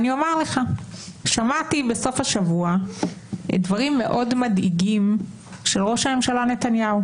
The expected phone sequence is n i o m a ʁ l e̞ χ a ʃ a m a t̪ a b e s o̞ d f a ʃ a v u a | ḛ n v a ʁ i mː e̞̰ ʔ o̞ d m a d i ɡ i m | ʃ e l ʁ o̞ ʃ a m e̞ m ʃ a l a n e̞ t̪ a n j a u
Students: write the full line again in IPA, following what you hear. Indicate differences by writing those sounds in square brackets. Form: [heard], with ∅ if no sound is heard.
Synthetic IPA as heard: n i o m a ʁ l e̞ χ a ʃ a m a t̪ [i] b e s o̞ [∅] f a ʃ a v u a | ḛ [d] v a ʁ i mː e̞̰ ʔ o̞ d m a d i ɡ i m | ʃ e l ʁ o̞ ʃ a m e̞ m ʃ a l a n e̞ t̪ a n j a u